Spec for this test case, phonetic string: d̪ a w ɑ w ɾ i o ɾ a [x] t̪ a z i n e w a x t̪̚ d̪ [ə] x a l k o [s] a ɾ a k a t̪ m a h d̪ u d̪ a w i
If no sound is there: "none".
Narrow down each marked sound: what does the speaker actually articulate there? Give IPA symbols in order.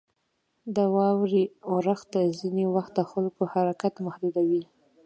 x, ə, h

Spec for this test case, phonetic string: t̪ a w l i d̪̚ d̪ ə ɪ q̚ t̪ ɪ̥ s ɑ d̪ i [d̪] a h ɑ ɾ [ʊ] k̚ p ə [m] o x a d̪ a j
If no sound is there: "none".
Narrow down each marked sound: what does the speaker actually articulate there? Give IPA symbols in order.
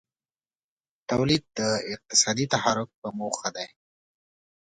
t̪, ʊ, m

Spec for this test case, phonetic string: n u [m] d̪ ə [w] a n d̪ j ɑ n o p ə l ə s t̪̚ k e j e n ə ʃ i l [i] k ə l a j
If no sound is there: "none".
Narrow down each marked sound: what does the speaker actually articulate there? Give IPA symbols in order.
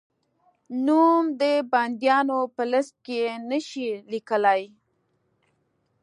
m, b, i

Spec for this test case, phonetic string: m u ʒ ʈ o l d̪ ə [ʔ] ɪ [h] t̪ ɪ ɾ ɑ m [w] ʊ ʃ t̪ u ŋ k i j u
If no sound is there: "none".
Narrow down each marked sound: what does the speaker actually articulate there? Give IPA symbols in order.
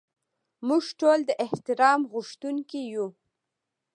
ʔ, h, ɣ

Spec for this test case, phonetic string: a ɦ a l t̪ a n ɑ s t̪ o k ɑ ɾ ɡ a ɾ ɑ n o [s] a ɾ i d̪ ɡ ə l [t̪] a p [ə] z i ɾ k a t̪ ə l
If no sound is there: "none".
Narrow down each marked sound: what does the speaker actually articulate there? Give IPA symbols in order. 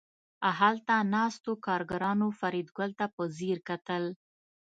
f, t̪, ə

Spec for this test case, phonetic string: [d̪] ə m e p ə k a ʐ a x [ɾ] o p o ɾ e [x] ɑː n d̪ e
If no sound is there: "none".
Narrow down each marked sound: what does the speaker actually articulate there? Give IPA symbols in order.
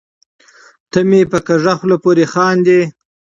t̪, l, x

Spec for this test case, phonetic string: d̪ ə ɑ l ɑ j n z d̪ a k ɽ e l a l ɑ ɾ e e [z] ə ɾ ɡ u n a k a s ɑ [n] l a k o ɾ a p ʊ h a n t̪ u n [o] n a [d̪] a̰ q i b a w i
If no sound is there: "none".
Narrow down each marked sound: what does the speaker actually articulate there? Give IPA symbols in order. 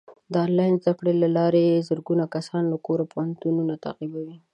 z, n, u, t̪

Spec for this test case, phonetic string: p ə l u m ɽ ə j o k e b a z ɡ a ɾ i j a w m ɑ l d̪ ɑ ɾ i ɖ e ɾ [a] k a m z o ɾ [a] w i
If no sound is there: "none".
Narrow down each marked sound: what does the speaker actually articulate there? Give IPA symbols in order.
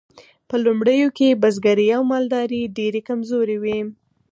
e, e

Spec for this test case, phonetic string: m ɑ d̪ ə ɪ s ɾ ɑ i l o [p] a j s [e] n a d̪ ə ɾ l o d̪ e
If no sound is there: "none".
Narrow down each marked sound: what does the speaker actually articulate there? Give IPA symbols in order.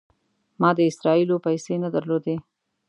p, e

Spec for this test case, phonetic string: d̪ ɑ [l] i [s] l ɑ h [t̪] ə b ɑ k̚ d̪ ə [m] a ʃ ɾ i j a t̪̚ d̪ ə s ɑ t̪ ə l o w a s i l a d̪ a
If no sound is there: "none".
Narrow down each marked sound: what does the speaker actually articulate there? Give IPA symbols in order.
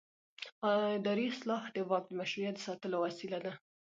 ɾ, s, d̪, m

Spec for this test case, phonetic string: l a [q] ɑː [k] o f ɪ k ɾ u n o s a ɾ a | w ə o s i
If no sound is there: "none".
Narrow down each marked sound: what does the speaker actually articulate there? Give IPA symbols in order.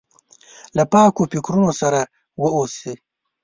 p, k

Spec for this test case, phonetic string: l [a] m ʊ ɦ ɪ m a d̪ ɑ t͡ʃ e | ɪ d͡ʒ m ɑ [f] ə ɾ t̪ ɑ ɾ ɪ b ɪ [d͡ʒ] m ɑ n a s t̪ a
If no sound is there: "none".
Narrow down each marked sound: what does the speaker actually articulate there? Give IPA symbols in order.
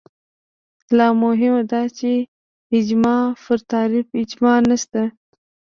ɑ, f, d͡ʒ

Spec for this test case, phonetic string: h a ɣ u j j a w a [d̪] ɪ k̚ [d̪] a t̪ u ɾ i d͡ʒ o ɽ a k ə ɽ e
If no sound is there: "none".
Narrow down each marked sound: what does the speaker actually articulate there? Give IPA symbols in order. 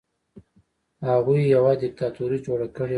d̪, t̪

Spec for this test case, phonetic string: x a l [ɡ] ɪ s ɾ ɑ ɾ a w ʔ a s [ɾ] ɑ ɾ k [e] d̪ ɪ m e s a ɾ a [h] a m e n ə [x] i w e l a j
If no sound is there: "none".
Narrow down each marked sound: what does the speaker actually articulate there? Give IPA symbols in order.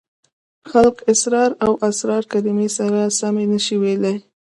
k, ɾ, a, s, ʃ

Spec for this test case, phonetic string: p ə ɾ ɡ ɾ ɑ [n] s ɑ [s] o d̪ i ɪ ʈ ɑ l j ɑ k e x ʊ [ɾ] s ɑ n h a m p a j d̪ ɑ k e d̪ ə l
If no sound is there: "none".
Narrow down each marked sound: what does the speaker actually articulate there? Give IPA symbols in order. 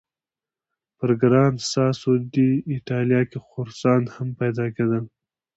n, s, ɾ

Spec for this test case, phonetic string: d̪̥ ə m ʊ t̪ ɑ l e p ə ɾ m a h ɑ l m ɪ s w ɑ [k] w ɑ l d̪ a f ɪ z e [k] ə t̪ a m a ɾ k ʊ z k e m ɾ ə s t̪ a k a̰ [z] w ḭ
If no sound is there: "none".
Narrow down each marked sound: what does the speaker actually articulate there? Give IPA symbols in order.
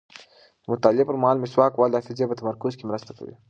k, p, none

